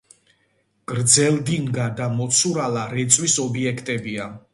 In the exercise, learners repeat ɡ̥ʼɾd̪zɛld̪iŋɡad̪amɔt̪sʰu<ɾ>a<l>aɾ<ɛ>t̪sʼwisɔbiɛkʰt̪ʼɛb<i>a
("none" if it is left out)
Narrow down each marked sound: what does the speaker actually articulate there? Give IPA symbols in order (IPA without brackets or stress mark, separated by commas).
ɾ, l, ɛ, i